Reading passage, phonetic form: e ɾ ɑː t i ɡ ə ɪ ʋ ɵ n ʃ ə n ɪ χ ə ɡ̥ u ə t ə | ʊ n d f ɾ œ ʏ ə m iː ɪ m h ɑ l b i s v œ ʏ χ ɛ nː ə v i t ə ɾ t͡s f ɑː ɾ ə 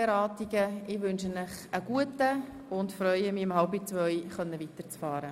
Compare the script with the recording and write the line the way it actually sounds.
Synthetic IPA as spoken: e ɾ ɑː t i ɡ ə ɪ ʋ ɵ n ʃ ə n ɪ χ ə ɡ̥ u ə t ə | ʊ n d f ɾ œ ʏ ə m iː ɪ m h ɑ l b i t͡s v œ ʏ χ œ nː ə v i t ə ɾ t͡s f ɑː ɾ ə

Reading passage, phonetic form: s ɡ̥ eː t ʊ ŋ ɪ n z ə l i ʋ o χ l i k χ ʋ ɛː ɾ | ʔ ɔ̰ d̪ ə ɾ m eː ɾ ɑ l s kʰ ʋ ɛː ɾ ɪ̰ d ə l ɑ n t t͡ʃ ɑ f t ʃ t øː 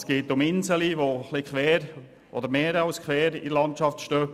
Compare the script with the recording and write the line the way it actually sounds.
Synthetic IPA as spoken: s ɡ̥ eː t ʊ m ɪ n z ə l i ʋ o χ l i k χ ʋ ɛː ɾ | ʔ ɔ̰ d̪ ə ɾ m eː ɾ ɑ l s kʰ ʋ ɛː ɾ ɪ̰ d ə l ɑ n t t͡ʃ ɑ f t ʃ t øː

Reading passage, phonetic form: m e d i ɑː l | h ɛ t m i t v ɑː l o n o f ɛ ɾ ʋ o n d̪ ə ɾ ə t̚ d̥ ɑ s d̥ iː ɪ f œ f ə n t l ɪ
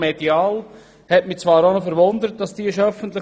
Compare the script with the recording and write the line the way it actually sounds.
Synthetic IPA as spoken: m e d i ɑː l | h ɛ t m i t͡s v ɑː ɾ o n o f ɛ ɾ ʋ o n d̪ ə ɾ ə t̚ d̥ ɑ s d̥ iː ɪ ʃ œ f ə n t l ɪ

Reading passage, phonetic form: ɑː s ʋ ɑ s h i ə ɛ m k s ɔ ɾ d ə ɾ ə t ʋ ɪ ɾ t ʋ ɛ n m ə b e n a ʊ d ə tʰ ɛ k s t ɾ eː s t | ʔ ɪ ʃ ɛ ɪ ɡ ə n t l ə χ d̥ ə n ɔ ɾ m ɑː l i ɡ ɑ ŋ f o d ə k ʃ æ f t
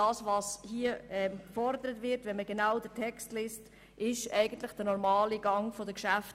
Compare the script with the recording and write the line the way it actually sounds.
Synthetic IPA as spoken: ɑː s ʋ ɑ s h i ə ɛ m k f ɔ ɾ d ə ɾ ə t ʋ ɪ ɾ t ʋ ɛ n m ə ɡ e n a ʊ d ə tʰ ɛ k s t l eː s t | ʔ ɪ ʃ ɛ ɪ ɡ ə n t l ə χ d̥ ə n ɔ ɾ m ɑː l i ɡ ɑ ŋ f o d ə k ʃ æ f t

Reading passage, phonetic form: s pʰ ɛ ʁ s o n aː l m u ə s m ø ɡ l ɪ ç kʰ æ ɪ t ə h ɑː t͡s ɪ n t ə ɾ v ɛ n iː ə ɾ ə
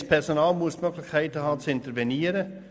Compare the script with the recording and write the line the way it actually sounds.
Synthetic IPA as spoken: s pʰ ɛ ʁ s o n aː l m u ə s m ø ɡ l ɪ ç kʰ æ ɪ t ə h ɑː t͡s ɪ n t ə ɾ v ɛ n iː ə ɾ ə

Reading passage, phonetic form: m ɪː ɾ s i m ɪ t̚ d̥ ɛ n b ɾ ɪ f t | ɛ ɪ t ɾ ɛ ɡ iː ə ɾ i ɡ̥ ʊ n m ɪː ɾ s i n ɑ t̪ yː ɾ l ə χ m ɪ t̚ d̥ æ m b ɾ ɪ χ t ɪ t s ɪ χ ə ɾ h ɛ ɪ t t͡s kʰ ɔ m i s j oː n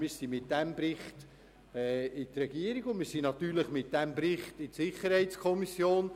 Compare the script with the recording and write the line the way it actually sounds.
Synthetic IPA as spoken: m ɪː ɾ s i m ɪ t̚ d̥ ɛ m b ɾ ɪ χ t | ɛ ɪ t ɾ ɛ ɡ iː ə ɾ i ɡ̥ ʊ n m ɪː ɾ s i n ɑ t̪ yː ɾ l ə χ m ɪ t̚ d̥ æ m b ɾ ɪ χ t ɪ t s ɪ χ ə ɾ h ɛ ɪ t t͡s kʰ ɔ m i s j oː n

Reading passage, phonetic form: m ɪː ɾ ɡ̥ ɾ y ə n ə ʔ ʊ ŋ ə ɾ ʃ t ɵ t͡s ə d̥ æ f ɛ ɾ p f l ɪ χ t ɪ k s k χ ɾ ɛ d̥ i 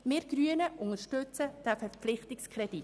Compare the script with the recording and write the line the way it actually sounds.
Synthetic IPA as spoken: m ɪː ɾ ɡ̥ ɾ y ə n ə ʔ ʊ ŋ ə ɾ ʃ t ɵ t͡s ə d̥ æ f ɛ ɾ p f l ɪ χ t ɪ k s k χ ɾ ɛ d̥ i

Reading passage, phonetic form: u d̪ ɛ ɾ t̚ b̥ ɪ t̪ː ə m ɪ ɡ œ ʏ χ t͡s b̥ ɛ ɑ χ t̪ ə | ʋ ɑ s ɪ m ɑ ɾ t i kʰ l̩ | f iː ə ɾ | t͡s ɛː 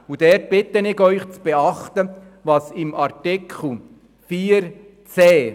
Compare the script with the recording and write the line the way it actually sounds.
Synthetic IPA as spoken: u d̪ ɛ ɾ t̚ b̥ ɪ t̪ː ə n ɪ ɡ œ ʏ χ t͡s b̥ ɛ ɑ χ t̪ ə | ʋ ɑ s ɪ m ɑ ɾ t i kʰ l̩ | f iː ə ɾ | t͡s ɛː

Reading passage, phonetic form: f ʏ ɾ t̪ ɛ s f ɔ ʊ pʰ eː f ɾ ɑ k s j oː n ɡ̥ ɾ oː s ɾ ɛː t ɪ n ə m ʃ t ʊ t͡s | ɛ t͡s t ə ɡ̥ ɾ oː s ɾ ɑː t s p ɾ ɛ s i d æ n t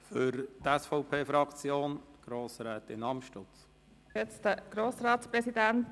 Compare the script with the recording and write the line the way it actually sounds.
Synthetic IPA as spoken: f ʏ ɾ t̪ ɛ s f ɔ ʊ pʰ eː f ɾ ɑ k t͡s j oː n ɡ̥ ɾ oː s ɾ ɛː t ɪ n ɑ m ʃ t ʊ t͡s | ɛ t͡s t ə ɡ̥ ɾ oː s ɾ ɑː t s p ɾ ɛ s i d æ n t

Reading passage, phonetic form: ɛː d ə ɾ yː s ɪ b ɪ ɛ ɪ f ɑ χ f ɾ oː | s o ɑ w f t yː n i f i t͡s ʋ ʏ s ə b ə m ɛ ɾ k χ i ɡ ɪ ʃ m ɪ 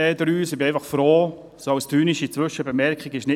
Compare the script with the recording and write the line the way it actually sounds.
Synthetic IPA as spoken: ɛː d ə ɾ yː s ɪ b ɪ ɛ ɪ f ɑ χ f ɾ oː | s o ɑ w s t yː n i ʃ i t͡s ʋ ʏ ʃ ə b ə m ɛ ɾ k χ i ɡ ɪ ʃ n ɪ

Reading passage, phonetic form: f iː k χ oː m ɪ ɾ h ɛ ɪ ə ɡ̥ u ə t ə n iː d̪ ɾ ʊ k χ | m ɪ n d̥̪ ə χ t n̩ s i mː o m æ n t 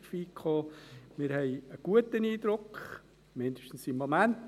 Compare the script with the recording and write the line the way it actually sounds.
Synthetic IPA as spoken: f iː k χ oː m ɪ ɾ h ɛ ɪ ə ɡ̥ u ə t ə n iː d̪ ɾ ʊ k χ | m ɪ n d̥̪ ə ʃ t n̩ s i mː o m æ n t

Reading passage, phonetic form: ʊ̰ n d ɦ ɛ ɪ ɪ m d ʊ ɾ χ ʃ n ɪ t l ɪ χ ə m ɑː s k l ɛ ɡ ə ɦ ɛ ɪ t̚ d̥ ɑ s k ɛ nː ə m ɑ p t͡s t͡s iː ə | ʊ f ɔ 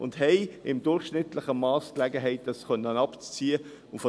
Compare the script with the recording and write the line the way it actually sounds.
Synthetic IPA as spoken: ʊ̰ n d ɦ ɛ ɪ ɪ m d ʊ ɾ χ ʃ n ɪ t l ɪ χ ə m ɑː s k l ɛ ɡ ə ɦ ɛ ɪ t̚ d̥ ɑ s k œ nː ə n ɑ p t͡s t͡s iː ə | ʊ f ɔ

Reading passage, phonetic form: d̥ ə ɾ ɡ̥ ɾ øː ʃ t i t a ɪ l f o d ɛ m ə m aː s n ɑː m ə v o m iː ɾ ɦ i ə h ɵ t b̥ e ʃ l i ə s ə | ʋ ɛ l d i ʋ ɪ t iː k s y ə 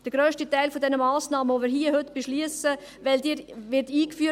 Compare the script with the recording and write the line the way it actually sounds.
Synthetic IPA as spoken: d̥ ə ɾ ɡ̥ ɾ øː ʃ t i t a ɪ l f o d ɛ n ə m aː s n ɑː m ə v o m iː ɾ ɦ i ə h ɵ t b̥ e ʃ l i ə s ə | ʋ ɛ l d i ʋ ɪ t iː k f y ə

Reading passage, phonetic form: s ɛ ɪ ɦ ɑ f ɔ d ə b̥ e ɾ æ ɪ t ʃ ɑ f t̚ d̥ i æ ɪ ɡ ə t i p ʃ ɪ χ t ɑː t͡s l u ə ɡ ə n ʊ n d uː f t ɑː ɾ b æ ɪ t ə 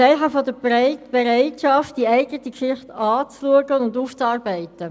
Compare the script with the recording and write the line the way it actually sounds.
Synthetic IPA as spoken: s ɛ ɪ ɦ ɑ f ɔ d ə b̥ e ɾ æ ɪ t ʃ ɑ f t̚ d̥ i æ ɪ ɡ ə t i k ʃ ɪ χ t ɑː t͡s l u ə ɡ ə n ʊ n d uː f t͡s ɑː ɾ b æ ɪ t ə

